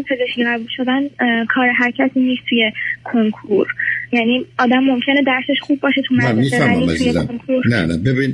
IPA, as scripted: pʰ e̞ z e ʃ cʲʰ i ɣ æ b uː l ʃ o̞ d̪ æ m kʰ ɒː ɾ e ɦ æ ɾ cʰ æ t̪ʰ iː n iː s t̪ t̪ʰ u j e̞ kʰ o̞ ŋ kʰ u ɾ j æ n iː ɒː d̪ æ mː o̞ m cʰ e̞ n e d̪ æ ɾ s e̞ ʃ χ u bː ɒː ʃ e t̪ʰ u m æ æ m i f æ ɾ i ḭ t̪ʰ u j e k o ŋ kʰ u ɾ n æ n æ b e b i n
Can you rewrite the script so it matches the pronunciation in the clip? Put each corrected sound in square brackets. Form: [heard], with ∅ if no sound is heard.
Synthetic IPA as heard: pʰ e̞ z e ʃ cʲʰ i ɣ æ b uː l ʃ o̞ d̪ æ [n] kʰ ɒː ɾ e ɦ æ ɾ cʰ æ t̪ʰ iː n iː s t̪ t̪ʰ u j e̞ kʰ o̞ ŋ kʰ u ɾ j æ n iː ɒː d̪ æ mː o̞ m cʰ e̞ n e d̪ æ ɾ s e̞ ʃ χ u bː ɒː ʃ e t̪ʰ u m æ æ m i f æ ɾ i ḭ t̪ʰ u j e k o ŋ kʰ u ɾ n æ n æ b e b i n